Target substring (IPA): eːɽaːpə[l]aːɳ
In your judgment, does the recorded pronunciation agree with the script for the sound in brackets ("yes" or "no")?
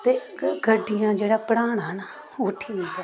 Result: no